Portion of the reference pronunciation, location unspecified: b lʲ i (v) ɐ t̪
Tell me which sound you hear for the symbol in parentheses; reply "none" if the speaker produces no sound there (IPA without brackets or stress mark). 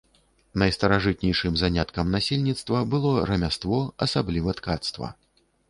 v